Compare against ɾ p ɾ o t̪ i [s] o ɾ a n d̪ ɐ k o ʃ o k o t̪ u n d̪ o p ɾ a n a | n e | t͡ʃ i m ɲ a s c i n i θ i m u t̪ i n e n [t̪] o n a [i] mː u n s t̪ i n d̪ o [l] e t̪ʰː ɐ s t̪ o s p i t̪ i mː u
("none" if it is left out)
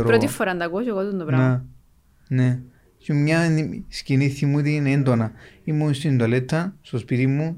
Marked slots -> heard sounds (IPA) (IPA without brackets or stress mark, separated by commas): f, d̪, i, l